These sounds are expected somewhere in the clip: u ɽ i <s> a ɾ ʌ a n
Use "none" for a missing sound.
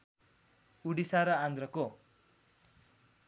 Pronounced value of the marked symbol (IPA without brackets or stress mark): s